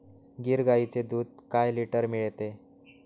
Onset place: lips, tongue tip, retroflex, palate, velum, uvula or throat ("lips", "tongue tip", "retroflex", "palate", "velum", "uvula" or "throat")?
velum